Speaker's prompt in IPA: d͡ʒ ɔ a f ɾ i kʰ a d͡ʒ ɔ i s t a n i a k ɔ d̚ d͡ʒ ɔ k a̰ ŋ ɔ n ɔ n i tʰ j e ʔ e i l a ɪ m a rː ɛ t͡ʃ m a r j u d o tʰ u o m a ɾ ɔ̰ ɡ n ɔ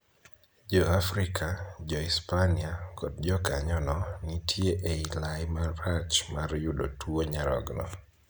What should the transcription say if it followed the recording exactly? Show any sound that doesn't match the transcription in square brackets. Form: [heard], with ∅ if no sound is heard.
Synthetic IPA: d͡ʒ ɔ a f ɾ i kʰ a d͡ʒ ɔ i s [p] a n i a k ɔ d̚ d͡ʒ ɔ k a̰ [ɲ] ɔ n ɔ n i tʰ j e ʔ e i l a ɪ m a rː [a] t͡ʃ m a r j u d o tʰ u o [ɲ] a ɾ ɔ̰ ɡ n ɔ

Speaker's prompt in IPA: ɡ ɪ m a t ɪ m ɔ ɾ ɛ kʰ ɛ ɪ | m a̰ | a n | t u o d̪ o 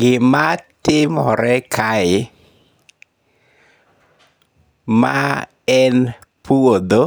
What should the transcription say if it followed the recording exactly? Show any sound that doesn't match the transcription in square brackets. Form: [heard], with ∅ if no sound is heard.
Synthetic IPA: ɡ ɪ m a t ɪ m ɔ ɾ ɛ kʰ [a] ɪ | m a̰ | [ɛ] n | [p] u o d̪ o

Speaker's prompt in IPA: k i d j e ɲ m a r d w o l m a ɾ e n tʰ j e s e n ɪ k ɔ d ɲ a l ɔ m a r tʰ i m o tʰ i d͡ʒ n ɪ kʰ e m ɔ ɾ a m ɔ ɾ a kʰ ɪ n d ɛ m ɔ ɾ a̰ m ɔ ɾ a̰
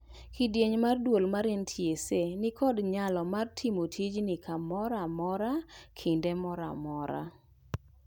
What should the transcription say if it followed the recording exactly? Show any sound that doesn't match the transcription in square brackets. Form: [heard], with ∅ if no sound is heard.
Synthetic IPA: k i d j e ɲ m a r d w o l m a ɾ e n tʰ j e s e n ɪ k ɔ d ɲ a l ɔ m a r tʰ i m o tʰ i d͡ʒ n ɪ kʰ [a] m ɔ ɾ a m ɔ ɾ a kʰ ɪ n d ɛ m ɔ ɾ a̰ m ɔ ɾ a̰

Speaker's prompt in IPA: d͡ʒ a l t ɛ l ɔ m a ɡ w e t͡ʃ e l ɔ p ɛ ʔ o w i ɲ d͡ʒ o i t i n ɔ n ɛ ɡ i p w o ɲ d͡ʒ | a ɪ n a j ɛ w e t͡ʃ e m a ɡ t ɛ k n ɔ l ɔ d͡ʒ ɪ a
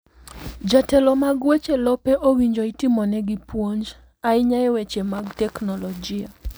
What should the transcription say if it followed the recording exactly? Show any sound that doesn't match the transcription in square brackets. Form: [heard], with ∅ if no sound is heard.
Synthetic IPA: d͡ʒ a [∅] t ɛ l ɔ m a ɡ w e t͡ʃ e l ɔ p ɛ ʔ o w i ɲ d͡ʒ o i t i [m] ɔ n ɛ ɡ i p w o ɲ d͡ʒ | a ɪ [ɲ] a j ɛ w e t͡ʃ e m a ɡ t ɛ k n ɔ l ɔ d͡ʒ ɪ a

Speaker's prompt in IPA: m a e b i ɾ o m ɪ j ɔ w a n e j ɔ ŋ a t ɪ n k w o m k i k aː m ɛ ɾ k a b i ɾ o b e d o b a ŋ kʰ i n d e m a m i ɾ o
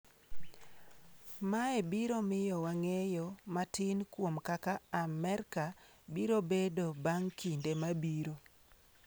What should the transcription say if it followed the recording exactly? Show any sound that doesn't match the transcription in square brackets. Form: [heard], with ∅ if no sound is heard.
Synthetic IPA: m a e b i ɾ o m ɪ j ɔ w a [ŋ] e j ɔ [m] a t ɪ n k w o m k [a] k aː m ɛ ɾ k a b i ɾ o b e d o b a ŋ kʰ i n d e m a [b] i ɾ o

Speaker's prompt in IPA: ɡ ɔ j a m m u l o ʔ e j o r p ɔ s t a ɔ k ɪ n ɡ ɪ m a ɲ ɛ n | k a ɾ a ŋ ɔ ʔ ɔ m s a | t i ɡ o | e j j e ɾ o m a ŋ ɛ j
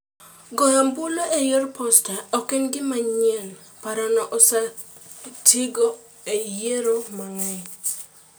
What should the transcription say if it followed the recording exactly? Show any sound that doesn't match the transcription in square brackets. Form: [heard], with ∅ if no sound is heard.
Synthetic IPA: ɡ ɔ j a m [b] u l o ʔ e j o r p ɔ s t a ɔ k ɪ n ɡ ɪ m a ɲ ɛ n | [p] a ɾ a [n] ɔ ʔ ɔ [∅] s a | t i ɡ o | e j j e ɾ o m a ŋ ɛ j

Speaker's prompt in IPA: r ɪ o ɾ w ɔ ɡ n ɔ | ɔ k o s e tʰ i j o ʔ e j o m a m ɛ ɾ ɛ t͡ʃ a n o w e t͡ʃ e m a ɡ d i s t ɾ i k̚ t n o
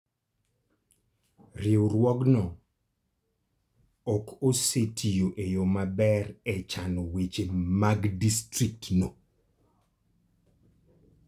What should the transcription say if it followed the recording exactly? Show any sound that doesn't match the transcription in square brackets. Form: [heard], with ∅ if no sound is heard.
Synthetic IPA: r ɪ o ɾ w ɔ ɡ n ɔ | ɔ k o s e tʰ i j o ʔ e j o m a [b] ɛ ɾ ɛ t͡ʃ a n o w e t͡ʃ e m a ɡ d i s t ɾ i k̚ t n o

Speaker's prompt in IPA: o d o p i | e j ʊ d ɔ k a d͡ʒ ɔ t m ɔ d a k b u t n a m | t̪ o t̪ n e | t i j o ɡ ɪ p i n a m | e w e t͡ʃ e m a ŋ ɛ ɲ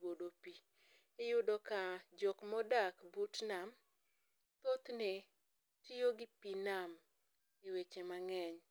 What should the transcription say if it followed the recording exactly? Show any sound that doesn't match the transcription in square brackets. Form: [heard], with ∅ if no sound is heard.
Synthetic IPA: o d o p i | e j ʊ d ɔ k a d͡ʒ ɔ [k] m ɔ d a k b u t n a m | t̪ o t̪ n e | t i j o ɡ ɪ p i n a m | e w e t͡ʃ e m a ŋ ɛ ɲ

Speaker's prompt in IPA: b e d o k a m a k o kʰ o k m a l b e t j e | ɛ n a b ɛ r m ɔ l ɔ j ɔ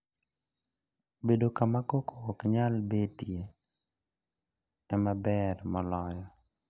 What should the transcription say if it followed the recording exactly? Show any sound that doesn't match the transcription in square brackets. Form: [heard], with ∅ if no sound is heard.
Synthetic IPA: b e d o k a m a k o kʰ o k [ɲ] a l b e t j e | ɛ [m] a b ɛ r m ɔ l ɔ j ɔ

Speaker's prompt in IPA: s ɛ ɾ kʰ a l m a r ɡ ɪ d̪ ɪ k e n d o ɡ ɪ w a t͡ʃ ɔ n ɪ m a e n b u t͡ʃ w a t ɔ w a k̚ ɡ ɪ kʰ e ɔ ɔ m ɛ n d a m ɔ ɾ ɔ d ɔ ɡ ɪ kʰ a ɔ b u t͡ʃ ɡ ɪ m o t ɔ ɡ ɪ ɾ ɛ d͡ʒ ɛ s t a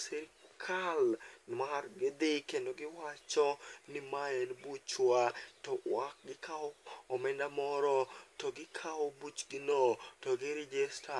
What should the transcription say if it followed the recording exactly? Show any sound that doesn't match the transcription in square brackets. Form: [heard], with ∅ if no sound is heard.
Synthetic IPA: s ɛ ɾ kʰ a l m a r ɡ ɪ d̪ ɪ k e n d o ɡ ɪ w a t͡ʃ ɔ n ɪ m a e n b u t͡ʃ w a t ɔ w a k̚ ɡ ɪ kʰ [a] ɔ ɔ m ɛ n d a m ɔ ɾ ɔ [t] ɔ ɡ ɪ kʰ a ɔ b u t͡ʃ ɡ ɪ [n] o t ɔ ɡ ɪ ɾ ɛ d͡ʒ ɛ s t a

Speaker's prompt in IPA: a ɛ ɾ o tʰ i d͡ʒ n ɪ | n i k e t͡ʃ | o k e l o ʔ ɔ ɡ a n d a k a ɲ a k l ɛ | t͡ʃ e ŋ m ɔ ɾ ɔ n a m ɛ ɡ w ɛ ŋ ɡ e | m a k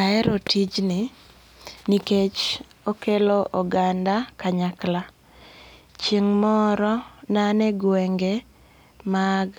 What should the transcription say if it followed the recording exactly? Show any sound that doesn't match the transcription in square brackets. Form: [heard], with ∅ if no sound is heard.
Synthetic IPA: a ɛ ɾ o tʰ i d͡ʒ n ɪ | n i k e t͡ʃ | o k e l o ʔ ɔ ɡ a n d a k a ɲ a k l [a] | t͡ʃ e ŋ m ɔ ɾ ɔ n a [n] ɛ ɡ w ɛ ŋ ɡ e | m a [ɡ]

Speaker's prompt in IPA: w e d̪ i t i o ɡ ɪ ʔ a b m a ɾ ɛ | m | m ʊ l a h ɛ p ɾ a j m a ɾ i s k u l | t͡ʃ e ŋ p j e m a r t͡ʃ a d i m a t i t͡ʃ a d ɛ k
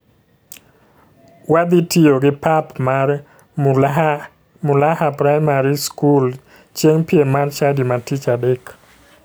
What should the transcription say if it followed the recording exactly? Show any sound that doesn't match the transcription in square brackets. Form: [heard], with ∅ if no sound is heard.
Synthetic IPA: w [a] d̪ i t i o ɡ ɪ [p] a [p] m a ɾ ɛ | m | m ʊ l a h [a] p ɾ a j m a ɾ i s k u l | t͡ʃ e ŋ p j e m a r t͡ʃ a d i m a t i t͡ʃ a d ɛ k

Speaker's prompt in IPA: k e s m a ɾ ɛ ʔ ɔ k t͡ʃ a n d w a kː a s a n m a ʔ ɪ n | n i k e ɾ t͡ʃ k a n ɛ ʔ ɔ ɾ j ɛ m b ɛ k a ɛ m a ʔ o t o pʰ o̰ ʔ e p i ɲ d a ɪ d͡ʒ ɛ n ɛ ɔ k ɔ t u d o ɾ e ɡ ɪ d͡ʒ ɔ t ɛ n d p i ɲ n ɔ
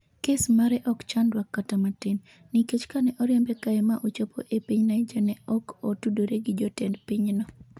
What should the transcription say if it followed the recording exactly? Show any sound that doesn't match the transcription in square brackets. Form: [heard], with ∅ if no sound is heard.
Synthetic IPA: k e s m a ɾ ɛ ʔ ɔ k t͡ʃ a n d w a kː a [t] a [∅] m a [t] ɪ n | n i k e [∅] t͡ʃ k a n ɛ ʔ ɔ ɾ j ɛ m b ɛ k a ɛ m a ʔ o [t͡ʃ] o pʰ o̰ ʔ e p i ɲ [n] a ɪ d͡ʒ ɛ n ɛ ɔ k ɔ t u d o ɾ e ɡ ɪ d͡ʒ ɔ t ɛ n d p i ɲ n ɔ

